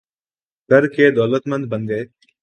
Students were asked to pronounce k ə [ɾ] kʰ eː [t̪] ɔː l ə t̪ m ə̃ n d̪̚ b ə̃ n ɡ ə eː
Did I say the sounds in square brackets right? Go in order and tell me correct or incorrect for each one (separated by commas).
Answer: correct, incorrect